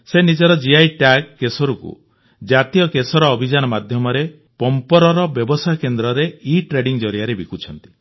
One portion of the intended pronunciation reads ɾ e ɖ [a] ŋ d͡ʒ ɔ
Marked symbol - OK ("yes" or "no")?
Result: no